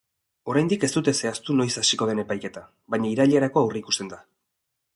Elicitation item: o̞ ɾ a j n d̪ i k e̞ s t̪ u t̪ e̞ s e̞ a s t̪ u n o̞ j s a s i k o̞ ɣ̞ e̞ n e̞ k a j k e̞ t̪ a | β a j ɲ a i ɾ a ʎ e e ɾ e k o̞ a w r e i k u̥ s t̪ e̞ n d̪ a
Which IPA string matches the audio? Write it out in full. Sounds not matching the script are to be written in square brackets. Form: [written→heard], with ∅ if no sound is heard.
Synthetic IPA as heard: o̞ ɾ a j n d̪ i k e̞ s t̪ u t̪ e̞ s e̞ a s t̪ u n o̞ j s a s i k o̞ [ɣ̞→ð̞] e̞ n e̞ [k→p] a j k e̞ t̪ a | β a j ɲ a i ɾ a ʎ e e ɾ [e→a] k o̞ a w r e i k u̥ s t̪ e̞ n d̪ a